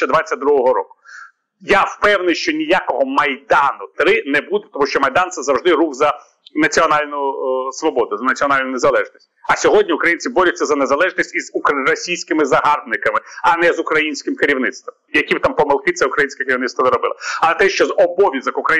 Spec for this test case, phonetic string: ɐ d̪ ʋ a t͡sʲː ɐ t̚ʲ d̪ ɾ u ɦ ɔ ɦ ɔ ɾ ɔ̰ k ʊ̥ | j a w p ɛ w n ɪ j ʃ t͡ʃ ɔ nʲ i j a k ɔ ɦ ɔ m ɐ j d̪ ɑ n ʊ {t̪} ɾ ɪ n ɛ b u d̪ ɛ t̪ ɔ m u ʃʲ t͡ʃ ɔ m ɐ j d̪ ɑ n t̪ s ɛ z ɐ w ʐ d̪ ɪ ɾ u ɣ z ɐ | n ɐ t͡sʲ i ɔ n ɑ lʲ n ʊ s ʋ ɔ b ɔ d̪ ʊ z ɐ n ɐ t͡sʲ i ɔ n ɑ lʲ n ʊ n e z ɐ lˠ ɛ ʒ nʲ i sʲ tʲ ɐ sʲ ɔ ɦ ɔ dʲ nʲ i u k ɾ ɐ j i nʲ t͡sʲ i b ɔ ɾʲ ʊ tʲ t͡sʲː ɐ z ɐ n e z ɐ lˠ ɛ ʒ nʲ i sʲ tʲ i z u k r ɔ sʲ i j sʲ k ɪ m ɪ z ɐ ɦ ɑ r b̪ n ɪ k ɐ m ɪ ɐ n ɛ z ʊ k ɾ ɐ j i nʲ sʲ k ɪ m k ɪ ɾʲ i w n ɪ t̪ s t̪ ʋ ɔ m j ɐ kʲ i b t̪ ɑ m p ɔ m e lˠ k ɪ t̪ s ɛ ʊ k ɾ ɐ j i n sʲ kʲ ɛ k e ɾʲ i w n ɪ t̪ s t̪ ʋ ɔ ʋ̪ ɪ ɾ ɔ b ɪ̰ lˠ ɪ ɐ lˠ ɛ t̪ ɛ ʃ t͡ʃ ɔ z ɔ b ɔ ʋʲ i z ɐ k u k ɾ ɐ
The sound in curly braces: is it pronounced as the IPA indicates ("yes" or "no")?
yes